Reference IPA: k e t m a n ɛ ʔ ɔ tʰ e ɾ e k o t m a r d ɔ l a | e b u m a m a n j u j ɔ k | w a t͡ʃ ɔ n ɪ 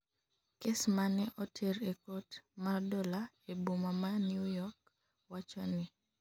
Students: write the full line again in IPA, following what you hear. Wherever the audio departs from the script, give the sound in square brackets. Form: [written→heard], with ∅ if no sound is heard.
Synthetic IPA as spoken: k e [t→s] m a n ɛ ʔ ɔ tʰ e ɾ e k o t m a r d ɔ l a | e b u m a m a n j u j ɔ k | w a t͡ʃ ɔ n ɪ